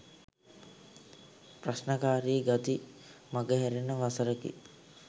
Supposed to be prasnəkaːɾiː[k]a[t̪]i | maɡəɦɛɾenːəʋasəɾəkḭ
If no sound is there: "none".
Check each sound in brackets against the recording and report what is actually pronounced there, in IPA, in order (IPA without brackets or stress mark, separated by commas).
ɡ, t̪